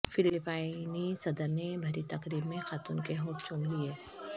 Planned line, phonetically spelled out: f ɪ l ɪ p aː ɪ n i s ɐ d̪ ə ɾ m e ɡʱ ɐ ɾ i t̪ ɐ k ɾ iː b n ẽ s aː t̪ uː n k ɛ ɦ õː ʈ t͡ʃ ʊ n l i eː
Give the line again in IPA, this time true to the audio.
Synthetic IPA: f ɪ l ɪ p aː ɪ n i s ɐ d̪ ə ɾ n e bʱ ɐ ɾ i t̪ ɐ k ɾ iː b m ẽ x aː t̪ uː n k e ɦ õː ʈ t͡ʃ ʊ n l i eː